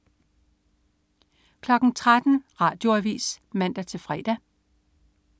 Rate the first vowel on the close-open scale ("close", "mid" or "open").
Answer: open